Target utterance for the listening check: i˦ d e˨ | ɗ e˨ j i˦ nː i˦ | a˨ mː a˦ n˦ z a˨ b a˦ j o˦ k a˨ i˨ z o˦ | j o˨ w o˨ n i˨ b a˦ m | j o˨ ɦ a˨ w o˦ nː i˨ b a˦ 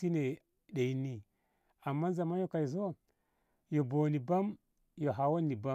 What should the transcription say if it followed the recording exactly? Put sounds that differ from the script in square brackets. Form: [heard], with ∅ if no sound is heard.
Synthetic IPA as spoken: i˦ [n] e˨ | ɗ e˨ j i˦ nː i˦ | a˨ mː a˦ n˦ z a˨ [m] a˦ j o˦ k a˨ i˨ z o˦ | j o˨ [b] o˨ n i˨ b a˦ m | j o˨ ɦ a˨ w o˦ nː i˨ b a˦